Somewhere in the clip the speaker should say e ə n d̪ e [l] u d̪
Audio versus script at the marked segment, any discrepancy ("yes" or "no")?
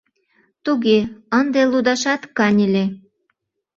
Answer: no